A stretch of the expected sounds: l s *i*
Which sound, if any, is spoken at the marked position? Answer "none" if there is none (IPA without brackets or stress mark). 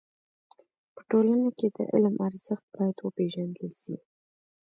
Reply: i